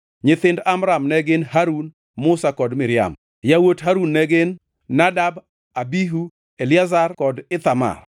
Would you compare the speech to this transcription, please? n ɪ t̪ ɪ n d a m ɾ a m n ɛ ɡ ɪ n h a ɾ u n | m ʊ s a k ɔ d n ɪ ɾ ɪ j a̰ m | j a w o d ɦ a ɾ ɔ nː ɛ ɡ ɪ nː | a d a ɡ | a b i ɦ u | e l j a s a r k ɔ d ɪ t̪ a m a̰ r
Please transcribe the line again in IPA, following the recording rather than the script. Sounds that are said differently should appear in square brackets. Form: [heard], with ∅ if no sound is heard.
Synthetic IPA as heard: [ɲ] ɪ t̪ ɪ n d a m ɾ a m n ɛ ɡ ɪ n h a ɾ u n | m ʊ s a k ɔ d [m] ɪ ɾ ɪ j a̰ m | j a w o [t] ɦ a ɾ [u] nː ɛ ɡ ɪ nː | a d a [b] | a b i ɦ u | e l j a [z] a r k ɔ d ɪ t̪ a m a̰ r